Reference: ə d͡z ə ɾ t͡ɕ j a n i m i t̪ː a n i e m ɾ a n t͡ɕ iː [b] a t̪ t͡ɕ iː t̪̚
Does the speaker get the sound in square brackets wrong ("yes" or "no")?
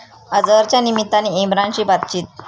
no